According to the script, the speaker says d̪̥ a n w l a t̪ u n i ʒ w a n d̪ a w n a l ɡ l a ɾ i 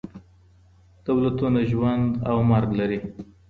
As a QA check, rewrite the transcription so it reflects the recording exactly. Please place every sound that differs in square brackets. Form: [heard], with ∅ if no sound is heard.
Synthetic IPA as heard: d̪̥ a [∅] w l a t̪ u n [a] ʒ w a n d̪ a w [m] a [ɾ] ɡ l a ɾ i

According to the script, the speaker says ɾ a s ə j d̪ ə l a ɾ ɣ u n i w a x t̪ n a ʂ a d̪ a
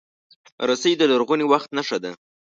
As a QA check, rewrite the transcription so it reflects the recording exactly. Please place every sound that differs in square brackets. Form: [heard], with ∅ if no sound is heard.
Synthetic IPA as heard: ɾ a s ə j d̪ ə l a ɾ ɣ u n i w a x t̪ n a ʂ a d̪ a

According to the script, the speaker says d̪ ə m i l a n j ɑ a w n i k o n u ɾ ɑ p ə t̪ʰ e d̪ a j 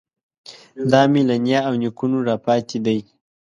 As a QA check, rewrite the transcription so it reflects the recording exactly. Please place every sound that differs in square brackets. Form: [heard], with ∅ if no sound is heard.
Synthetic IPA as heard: d̪ [ɑ] m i l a n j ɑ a w n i k [u] n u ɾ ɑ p [ɑ] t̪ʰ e d̪ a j

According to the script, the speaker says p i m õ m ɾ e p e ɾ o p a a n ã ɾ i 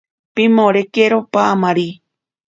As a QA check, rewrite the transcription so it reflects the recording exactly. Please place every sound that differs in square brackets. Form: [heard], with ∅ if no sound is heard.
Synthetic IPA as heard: p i m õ [∅] ɾ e [k] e ɾ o p a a [m] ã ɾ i

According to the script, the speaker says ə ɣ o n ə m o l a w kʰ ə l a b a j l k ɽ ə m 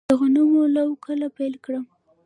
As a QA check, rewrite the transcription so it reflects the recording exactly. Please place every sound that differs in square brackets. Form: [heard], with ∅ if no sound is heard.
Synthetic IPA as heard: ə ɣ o n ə m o l a w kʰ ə l a [p] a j l k ɽ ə m

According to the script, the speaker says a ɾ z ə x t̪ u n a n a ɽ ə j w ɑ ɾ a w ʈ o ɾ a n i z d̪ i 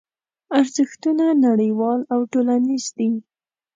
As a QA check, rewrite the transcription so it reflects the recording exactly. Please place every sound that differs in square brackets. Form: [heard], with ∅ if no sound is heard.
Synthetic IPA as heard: a ɾ z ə x t̪ u n a n a ɽ ə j w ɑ [l] a w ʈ o [l] a n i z d̪ i

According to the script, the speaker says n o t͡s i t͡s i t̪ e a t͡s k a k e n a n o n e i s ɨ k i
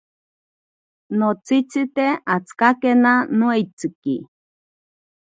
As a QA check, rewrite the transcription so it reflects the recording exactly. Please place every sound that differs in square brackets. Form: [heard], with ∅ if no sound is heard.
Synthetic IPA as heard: n o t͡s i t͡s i t̪ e a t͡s k a k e n a n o [∅] e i [t͡s] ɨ k i

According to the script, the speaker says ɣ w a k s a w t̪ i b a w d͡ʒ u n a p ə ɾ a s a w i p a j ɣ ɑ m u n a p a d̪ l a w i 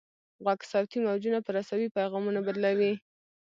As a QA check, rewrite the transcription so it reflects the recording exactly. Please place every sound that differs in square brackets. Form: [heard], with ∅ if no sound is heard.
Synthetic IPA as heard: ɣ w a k s a w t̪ i [m] a w d͡ʒ u n a p ə ɾ a s a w i p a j ɣ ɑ m u n a [b] a d̪ l a w i

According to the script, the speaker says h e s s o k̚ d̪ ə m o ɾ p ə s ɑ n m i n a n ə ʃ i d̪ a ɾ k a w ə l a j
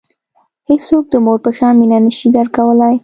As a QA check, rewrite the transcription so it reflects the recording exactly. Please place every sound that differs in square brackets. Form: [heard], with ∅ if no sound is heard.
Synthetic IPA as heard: h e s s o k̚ d̪ ə m o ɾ p ə [ʃ] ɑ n m i n a n ə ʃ i d̪ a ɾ k a w ə l a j

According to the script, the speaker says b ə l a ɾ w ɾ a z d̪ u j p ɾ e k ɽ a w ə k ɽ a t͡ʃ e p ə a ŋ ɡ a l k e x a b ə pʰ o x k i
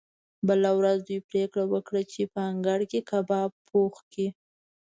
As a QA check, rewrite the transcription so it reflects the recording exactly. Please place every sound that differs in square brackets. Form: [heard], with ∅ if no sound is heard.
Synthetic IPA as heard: b ə l a [∅] w ɾ a z d̪ u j p ɾ e k ɽ a w ə k ɽ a t͡ʃ e p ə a ŋ ɡ a [ɽ] k e [k] a b [ɑ] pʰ o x k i

